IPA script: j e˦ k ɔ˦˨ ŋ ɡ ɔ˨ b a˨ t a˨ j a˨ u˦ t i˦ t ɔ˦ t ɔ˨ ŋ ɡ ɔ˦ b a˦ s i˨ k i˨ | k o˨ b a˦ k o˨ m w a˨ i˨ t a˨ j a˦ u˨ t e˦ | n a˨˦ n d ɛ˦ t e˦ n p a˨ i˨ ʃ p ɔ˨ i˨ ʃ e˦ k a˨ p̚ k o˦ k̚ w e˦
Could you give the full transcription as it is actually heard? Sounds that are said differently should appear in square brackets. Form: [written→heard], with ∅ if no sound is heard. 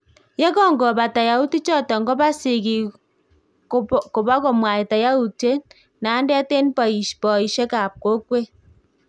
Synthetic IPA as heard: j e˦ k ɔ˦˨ ŋ ɡ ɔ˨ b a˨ t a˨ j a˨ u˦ t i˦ [t→t͡ʃ] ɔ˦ t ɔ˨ ŋ ɡ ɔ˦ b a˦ s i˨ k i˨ | k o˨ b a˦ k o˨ m w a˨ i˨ t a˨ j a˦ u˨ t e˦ | n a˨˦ n d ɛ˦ t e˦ n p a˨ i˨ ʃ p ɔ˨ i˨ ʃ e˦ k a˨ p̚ k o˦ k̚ w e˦